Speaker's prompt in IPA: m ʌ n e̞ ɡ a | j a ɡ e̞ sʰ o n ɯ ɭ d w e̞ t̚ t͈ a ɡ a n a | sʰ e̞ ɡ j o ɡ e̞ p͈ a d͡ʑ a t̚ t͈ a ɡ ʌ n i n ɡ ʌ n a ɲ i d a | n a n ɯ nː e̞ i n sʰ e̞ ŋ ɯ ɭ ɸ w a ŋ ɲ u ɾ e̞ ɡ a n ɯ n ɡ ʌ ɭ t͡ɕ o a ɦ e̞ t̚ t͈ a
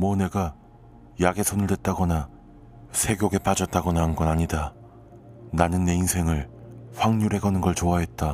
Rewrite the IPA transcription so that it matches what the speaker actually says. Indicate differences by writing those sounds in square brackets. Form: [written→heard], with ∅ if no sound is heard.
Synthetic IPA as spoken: m ʌ n e̞ ɡ a | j a ɡ e̞ sʰ o n ɯ ɭ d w e̞ t̚ t͈ a ɡ [a→ʌ] n a | sʰ e̞ ɡ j o ɡ e̞ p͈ a d͡ʑ [a→ʌ] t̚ t͈ a ɡ ʌ n [i→a] n ɡ ʌ n a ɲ i d a | n a n ɯ nː e̞ i n sʰ e̞ ŋ ɯ ɭ ɸ w a ŋ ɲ u ɾ e̞ ɡ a n ɯ n ɡ ʌ ɭ t͡ɕ o a ɦ e̞ t̚ t͈ a